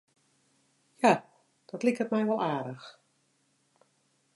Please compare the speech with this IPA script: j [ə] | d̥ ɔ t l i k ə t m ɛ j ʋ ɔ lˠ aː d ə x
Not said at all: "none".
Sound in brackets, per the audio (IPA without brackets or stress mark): a